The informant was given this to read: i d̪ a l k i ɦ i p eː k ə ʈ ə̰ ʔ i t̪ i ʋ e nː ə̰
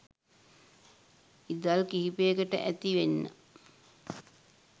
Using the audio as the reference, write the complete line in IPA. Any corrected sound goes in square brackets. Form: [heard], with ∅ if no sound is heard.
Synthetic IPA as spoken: i d̪ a l k i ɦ i p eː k ə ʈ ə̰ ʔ [æ] t̪ i ʋ e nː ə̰